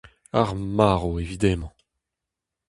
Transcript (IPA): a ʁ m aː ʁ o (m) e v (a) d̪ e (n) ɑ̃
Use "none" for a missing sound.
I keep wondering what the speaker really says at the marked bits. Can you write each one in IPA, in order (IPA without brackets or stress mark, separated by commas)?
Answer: none, i, m